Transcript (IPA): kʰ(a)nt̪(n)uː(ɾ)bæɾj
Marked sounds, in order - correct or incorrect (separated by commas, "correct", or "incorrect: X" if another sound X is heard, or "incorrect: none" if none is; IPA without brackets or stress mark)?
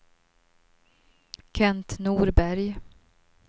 incorrect: ɛ, correct, correct